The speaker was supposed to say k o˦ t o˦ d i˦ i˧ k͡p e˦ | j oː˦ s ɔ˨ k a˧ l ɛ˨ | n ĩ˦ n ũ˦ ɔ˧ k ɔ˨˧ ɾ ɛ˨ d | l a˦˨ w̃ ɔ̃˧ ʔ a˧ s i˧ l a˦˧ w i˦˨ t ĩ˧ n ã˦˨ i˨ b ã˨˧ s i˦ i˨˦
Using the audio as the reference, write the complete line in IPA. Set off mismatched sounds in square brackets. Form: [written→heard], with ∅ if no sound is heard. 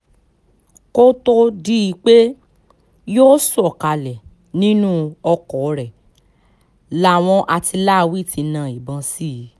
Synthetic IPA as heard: k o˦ t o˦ d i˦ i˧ k͡p e˦ | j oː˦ s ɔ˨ k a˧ l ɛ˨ | n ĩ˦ n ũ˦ ɔ˧ k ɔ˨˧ ɾ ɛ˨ [d→∅] | l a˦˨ w̃ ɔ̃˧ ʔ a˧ [s→t] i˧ l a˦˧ w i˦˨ t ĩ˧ n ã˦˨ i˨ b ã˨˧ s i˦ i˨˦